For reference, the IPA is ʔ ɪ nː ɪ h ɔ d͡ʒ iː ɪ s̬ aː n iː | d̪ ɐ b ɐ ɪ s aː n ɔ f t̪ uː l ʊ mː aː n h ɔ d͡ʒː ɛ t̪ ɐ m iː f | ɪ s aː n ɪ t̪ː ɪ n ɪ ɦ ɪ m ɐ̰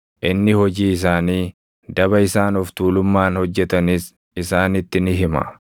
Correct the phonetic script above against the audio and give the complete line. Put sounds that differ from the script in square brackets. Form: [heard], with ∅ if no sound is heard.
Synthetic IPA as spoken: ʔ ɪ nː ɪ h ɔ d͡ʒ iː ɪ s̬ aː n iː | d̪ ɐ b ɐ ɪ s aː n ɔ f t̪ uː l ʊ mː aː n h ɔ d͡ʒː ɛ t̪ ɐ [n] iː [s] | ɪ s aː n ɪ t̪ː ɪ n ɪ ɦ ɪ m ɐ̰